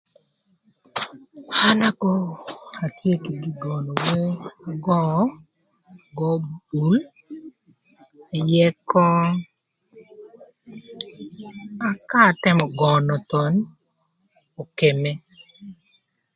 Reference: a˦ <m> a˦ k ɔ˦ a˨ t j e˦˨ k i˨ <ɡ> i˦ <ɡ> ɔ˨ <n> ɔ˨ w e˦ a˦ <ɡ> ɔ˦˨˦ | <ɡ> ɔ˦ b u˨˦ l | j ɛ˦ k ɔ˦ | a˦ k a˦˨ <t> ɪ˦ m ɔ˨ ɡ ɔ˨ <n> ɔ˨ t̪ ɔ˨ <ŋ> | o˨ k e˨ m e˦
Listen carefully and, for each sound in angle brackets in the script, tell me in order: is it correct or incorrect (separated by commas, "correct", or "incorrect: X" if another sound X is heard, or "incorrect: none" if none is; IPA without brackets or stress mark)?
incorrect: n, correct, correct, correct, correct, correct, correct, correct, incorrect: n